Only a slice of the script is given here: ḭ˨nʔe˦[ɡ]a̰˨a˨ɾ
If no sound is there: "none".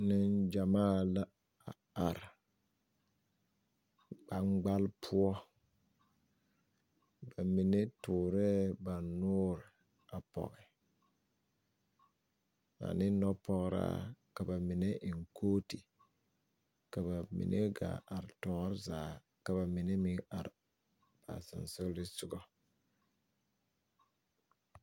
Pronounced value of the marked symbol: ɡ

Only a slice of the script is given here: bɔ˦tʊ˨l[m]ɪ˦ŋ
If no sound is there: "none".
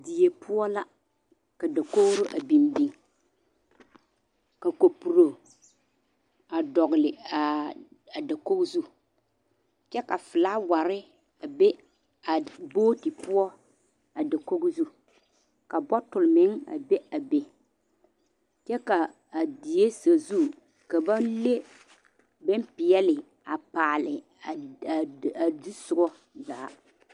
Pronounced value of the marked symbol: m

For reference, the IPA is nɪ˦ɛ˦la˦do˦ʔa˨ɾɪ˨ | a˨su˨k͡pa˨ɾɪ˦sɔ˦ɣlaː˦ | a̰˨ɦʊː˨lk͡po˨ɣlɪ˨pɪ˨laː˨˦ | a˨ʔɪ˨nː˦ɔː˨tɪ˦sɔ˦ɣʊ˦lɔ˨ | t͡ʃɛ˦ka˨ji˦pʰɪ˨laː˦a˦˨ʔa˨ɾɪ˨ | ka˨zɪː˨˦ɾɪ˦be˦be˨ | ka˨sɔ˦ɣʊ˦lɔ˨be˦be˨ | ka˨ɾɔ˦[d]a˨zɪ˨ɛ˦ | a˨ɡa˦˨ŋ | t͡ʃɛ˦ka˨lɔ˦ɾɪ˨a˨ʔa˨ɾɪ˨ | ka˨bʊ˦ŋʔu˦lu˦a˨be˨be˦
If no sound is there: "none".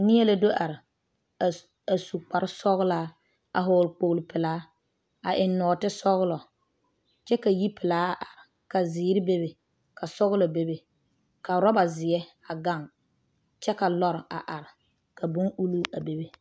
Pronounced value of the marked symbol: b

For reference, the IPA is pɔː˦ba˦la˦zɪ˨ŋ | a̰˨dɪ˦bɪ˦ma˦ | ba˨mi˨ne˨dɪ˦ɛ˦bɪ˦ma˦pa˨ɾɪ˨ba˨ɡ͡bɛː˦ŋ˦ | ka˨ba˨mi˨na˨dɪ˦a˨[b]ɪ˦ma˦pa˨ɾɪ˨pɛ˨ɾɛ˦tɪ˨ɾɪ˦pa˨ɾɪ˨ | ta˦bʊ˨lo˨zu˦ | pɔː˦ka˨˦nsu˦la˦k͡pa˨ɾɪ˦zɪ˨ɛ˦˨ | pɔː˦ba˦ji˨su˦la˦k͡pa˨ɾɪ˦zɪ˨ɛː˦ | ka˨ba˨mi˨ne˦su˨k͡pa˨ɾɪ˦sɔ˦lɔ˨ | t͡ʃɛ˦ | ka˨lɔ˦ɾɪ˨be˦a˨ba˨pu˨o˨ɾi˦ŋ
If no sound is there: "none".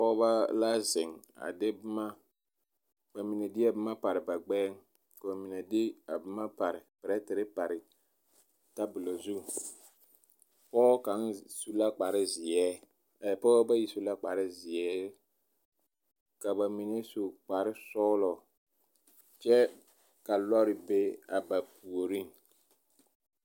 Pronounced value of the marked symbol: b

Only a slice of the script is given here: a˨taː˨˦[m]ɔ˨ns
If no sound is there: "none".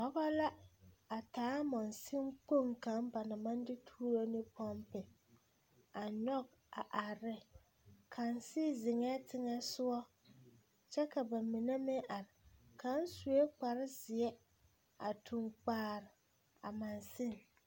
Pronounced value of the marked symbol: m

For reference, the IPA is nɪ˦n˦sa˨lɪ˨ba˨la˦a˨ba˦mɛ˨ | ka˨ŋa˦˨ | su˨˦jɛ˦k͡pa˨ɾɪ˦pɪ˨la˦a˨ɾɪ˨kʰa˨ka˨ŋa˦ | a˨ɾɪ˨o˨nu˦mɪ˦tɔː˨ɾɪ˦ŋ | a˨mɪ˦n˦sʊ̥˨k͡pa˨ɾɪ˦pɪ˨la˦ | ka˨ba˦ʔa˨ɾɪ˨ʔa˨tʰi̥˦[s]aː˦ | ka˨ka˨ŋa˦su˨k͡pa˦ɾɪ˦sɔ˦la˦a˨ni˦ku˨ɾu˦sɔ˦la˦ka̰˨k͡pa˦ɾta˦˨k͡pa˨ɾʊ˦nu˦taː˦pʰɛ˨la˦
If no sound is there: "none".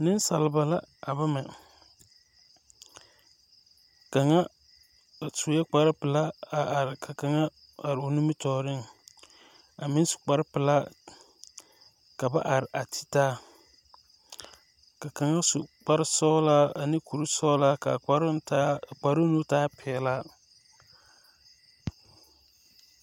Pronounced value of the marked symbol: t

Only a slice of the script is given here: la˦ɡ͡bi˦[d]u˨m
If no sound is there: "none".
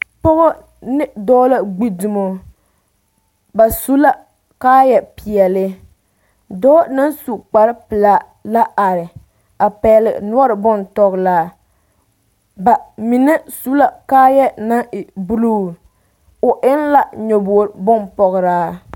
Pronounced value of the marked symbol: d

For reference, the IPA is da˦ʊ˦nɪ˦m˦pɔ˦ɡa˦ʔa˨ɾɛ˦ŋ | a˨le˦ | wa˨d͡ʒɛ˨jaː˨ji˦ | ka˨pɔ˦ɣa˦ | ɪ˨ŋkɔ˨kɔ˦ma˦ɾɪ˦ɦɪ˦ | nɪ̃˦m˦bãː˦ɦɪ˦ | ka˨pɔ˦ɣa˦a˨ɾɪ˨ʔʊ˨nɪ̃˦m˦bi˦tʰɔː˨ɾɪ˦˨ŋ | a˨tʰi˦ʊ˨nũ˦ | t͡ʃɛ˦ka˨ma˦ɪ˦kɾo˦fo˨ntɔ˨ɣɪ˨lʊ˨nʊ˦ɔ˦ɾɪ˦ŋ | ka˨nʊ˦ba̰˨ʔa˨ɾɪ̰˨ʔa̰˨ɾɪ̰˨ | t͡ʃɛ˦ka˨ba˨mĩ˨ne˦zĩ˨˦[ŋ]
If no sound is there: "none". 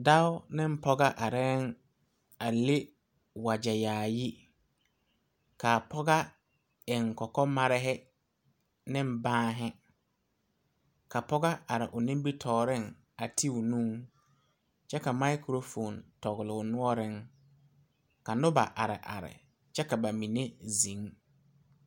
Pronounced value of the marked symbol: ŋ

